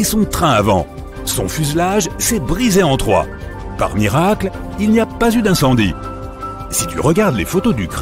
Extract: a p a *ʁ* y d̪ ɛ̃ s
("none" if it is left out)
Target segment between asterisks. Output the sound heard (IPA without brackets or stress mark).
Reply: z